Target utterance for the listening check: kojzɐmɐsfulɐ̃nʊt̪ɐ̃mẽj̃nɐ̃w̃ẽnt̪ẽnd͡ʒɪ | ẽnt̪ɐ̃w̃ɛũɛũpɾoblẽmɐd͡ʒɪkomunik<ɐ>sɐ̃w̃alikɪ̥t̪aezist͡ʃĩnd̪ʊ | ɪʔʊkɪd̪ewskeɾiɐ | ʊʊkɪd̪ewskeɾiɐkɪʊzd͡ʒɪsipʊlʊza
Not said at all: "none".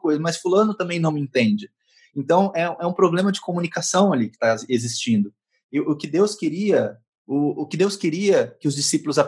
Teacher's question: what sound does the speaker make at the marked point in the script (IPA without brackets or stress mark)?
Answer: a